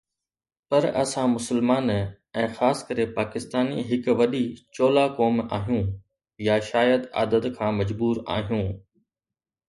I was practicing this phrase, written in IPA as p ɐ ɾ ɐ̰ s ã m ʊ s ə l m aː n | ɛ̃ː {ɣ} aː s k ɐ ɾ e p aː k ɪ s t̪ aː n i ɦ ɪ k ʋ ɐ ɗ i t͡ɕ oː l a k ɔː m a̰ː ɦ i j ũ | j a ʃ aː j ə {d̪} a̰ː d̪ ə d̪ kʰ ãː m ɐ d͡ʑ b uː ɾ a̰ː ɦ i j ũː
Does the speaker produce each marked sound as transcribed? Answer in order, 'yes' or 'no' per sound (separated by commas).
no, yes